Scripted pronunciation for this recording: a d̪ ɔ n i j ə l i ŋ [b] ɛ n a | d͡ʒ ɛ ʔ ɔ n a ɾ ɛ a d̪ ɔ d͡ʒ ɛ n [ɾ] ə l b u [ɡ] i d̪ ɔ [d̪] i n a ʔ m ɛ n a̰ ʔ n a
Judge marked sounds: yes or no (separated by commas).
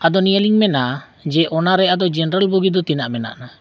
no, yes, yes, no